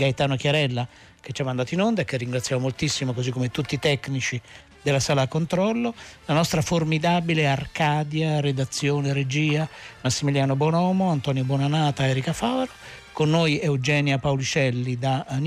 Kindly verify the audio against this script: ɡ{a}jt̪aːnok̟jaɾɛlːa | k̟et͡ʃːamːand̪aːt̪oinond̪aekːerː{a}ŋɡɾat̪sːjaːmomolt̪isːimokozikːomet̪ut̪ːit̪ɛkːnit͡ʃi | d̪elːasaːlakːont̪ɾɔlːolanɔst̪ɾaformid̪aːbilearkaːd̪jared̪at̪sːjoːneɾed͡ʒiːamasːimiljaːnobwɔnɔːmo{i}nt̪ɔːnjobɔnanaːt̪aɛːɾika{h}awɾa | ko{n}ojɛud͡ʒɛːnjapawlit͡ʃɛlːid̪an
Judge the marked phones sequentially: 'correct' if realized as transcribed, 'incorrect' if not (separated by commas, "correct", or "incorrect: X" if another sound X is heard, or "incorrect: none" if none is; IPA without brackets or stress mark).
correct, incorrect: i, incorrect: a, incorrect: f, incorrect: nː